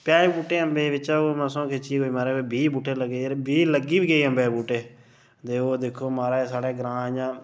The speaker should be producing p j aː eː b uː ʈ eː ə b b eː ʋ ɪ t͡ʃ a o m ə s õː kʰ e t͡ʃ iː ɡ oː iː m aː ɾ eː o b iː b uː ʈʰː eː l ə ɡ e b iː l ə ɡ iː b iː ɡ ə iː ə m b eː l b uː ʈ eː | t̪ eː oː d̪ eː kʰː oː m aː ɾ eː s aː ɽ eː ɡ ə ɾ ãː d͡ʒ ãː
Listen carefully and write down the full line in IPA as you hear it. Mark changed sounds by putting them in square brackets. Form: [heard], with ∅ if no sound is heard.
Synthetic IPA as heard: p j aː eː b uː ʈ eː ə [m] b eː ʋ ɪ t͡ʃ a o m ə s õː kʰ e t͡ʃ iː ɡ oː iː m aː ɾ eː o b iː b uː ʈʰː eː l ə ɡ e b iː l ə ɡ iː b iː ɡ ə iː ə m b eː [∅] b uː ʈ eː | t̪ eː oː d̪ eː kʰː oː m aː ɾ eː s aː ɽ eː ɡ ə ɾ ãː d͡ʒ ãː